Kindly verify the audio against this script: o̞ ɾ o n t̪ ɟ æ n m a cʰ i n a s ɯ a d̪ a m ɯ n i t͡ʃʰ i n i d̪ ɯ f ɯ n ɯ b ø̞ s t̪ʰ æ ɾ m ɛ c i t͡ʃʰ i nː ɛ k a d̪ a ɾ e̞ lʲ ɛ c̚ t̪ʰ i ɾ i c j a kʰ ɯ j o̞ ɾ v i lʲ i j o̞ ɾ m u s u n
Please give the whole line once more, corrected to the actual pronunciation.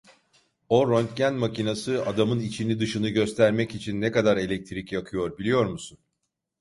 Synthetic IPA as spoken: o̞ ɾ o n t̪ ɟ æ n m a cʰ i n a s ɯ a d̪ a m ɯ n i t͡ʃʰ i n i d̪ ɯ ʃ ɯ n ɯ ɟ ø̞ s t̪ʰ æ ɾ m ɛ c i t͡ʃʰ i nː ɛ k a d̪ a ɾ e̞ lʲ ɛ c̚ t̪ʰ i ɾ i c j a kʰ ɯ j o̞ ɾ b i lʲ i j o̞ ɾ m u s u n